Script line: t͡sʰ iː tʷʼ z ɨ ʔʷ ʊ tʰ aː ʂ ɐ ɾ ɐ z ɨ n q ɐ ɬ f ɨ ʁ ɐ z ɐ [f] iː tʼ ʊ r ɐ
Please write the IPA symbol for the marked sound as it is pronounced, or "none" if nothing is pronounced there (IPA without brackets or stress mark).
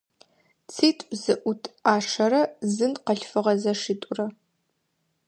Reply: ʂ